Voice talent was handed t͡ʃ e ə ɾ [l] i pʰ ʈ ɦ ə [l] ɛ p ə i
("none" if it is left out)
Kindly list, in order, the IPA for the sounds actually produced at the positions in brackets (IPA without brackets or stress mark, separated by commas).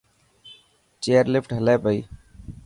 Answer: l, l